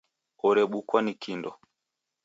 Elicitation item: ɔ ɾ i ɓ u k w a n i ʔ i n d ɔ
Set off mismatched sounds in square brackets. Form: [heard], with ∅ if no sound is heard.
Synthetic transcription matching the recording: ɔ ɾ [ɛ] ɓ u k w a n i [k] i n d ɔ

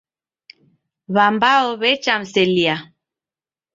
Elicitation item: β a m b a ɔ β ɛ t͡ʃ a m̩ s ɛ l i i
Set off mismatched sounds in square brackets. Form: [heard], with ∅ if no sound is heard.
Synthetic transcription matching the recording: β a m b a ɔ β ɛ t͡ʃ a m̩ s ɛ l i [a]

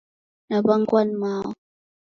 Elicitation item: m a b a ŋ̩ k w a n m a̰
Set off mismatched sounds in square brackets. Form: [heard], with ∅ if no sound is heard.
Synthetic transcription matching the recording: [n] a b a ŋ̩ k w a n m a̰

